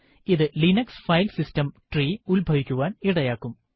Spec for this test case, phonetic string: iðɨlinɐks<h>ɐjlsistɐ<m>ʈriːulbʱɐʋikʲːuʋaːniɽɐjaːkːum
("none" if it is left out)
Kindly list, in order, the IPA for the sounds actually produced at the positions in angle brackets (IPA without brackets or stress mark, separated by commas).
f, m